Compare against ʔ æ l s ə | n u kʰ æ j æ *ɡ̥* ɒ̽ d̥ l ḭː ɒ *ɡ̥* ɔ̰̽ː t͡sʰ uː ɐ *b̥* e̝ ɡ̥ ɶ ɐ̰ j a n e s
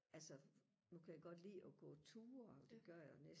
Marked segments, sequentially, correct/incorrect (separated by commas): correct, correct, incorrect